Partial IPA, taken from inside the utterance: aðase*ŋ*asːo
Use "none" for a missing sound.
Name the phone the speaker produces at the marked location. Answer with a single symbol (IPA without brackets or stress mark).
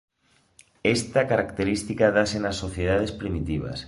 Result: n